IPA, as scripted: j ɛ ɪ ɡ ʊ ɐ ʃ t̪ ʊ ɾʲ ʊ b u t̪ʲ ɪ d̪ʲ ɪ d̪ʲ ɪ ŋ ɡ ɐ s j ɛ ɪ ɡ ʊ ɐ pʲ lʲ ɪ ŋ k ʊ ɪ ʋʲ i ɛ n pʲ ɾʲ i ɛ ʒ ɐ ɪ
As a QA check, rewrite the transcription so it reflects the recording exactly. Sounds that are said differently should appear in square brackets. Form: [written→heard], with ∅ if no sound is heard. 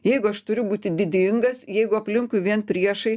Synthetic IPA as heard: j ɛ ɪ ɡ ʊ ɐ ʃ t̪ ʊ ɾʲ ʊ b [u→uː] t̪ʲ ɪ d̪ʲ ɪ d̪ʲ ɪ ŋ ɡ ɐ s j ɛ ɪ ɡ ʊ ɐ pʲ lʲ ɪ ŋ k ʊ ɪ ʋʲ i ɛ n pʲ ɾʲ i ɛ [ʒ→ʃ] ɐ ɪ